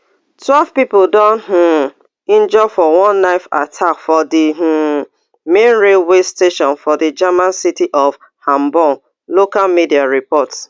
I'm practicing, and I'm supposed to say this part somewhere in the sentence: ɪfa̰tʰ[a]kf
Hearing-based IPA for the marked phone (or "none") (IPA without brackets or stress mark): a